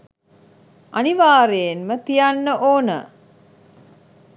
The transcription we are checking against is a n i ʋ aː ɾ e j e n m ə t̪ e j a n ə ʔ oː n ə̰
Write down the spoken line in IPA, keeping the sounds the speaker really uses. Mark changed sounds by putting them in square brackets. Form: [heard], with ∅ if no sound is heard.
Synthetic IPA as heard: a n i ʋ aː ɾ e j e n m ə t̪ [i] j a [nː] ə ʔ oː n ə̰